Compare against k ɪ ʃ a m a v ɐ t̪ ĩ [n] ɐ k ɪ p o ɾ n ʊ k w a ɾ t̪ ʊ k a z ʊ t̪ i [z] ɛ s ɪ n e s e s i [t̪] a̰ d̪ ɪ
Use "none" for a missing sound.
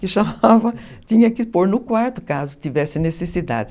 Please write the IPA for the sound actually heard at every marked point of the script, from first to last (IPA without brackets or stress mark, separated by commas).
ɲ, v, d̪